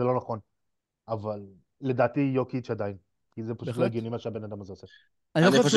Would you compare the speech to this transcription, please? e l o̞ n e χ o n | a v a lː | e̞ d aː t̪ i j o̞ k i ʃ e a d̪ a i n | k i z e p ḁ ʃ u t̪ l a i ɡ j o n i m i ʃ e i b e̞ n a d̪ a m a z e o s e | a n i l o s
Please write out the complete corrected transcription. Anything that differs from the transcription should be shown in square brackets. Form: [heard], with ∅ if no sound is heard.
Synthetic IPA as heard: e l o̞ n [a] χ o n | a v a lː | e̞ d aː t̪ i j o̞ k i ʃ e a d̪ a i n | k i z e p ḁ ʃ u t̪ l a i ɡ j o n i m [a] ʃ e [a] b e̞ n a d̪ a m a z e o s e | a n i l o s